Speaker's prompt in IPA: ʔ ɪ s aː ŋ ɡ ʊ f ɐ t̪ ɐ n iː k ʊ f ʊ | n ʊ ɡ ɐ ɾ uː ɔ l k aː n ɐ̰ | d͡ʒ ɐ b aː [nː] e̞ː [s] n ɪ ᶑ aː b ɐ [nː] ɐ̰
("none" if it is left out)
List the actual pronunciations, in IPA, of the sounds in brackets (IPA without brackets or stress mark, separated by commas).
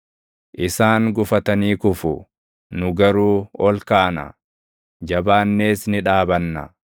nː, s, nː